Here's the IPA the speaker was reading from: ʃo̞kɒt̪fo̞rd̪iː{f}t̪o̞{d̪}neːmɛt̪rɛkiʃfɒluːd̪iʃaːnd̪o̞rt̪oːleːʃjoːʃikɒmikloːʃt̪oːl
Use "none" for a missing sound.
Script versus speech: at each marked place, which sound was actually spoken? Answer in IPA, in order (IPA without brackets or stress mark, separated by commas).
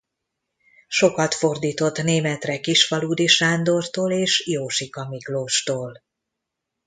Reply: none, t̪